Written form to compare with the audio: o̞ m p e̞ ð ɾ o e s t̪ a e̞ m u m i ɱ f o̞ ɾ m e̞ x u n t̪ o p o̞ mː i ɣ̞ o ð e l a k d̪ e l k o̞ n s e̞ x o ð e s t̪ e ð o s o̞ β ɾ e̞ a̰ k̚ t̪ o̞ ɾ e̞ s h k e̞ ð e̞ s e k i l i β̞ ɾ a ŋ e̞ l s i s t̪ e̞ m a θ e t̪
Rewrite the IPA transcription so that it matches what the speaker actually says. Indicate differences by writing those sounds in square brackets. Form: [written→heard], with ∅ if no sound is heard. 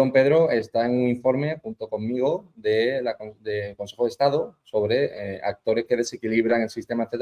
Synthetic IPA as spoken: o̞ m p e̞ ð ɾ o e s t̪ a e̞ [m→ŋ] u [m→ŋ] i ɱ f o̞ ɾ m e̞ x u n t̪ o [p→k] o̞ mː i ɣ̞ o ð e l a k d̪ e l k o̞ n s e̞ x o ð e s t̪ [e→a] ð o s o̞ β ɾ e̞ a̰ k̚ t̪ o̞ ɾ e̞ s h k e̞ ð e̞ s e k i l i β̞ ɾ a ŋ e̞ l s i s t̪ e̞ m a θ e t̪